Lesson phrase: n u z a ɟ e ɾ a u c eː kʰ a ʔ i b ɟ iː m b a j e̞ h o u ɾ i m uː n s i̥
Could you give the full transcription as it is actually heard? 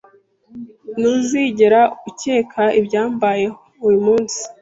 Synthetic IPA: n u z i ɟ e ɾ a u c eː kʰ a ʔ i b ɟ aː m b a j e̞ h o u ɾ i m uː n s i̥